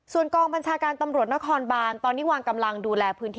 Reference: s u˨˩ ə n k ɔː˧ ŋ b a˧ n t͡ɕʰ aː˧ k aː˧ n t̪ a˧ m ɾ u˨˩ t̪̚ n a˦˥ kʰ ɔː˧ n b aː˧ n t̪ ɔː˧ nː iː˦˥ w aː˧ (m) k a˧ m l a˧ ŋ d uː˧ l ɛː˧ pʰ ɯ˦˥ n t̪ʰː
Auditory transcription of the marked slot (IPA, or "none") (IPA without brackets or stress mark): ŋ